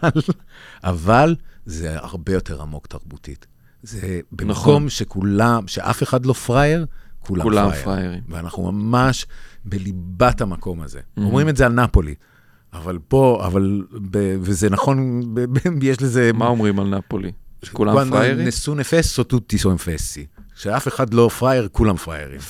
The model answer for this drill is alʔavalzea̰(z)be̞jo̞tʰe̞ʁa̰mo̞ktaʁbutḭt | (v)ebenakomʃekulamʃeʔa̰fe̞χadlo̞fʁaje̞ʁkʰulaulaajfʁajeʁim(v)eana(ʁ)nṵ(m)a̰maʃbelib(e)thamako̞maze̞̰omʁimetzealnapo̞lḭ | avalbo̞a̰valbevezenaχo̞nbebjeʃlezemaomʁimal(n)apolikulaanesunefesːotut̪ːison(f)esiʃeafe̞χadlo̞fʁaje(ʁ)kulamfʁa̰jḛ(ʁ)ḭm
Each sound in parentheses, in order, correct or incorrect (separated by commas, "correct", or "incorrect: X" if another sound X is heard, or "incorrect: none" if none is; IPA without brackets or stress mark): incorrect: ʁ, incorrect: z, correct, incorrect: χ, correct, incorrect: a, correct, correct, correct, correct